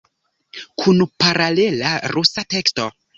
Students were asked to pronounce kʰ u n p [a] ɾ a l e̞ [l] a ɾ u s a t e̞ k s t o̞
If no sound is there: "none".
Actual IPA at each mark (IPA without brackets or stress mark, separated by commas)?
a, l